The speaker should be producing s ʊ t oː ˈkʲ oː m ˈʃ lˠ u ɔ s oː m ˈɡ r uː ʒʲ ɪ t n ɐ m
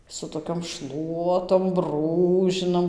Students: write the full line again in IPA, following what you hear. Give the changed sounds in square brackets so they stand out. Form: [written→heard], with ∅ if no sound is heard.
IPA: s ʊ t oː ˈkʲ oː m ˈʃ lˠ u ɔ [s→t] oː m [ˈɡ→ˈb] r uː ʒʲ ɪ [t→∅] n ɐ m